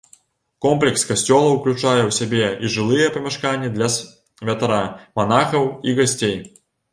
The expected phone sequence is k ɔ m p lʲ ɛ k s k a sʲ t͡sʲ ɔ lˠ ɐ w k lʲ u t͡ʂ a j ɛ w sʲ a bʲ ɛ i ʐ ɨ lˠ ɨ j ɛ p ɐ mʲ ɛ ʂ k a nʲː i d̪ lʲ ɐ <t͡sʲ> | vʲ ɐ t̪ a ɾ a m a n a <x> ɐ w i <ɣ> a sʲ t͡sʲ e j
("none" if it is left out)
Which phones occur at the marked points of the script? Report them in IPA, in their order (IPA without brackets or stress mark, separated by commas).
none, x, ɣ